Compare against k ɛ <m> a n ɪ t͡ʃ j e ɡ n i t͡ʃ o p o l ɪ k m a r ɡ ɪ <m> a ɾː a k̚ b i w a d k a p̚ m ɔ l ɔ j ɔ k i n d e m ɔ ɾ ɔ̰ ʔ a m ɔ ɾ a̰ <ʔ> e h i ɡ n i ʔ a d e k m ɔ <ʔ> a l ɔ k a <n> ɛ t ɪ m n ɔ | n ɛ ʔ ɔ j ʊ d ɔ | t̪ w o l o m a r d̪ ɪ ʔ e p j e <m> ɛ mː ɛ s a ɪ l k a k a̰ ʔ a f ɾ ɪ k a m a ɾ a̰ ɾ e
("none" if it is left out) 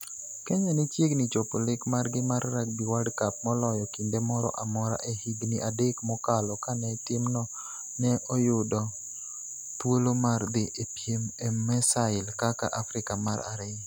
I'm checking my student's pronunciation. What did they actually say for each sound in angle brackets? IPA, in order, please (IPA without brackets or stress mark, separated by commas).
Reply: ɲ, m, ʔ, k, n, m